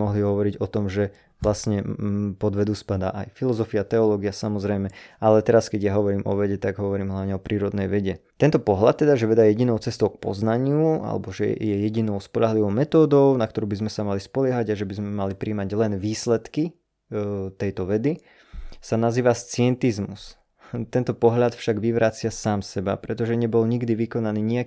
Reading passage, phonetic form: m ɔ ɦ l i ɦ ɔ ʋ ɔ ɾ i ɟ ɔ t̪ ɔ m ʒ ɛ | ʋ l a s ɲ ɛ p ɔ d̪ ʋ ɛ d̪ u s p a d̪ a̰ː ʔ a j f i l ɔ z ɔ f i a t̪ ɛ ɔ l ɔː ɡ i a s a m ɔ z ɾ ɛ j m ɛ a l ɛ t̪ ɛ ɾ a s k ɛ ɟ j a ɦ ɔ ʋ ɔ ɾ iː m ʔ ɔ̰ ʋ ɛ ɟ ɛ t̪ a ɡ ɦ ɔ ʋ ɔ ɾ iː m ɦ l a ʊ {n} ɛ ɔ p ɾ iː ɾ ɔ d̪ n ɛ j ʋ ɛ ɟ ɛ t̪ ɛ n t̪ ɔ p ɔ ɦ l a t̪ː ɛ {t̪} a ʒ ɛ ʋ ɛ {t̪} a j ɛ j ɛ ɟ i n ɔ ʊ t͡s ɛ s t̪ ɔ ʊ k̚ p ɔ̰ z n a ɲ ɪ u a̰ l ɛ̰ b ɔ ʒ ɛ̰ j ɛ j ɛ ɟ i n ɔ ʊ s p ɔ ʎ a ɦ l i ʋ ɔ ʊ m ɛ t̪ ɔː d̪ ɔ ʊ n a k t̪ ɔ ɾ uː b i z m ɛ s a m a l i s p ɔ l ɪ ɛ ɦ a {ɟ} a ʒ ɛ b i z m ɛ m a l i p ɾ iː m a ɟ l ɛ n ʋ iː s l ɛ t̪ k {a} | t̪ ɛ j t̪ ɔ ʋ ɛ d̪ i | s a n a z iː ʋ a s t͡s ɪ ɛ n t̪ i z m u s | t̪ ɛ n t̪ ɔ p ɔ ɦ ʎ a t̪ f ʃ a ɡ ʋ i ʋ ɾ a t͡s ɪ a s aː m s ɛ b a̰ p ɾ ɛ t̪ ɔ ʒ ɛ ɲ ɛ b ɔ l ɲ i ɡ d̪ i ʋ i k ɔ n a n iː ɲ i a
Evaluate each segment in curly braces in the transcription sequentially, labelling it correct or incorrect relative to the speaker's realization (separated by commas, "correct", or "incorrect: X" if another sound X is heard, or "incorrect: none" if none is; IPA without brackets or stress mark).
incorrect: ɲ, incorrect: d̪, incorrect: d̪, correct, incorrect: i